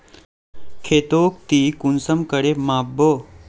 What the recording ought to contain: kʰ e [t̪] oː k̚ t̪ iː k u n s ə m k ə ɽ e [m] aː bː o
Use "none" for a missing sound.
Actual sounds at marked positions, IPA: t̪, m

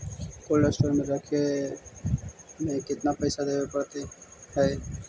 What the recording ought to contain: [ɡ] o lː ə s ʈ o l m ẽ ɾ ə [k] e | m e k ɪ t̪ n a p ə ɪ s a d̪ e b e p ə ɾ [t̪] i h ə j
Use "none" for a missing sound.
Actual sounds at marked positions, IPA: k, kʰ, t̪

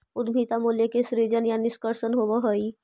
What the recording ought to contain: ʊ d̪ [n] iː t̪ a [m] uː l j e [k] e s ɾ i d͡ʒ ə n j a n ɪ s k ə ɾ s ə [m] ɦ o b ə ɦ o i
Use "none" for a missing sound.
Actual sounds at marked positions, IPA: m, m, k, n

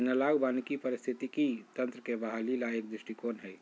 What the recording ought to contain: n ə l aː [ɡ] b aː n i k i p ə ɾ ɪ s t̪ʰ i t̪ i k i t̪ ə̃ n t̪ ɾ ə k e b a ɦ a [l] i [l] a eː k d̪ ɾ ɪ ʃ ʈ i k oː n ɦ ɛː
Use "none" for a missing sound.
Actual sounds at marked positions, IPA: ɡ, l, l

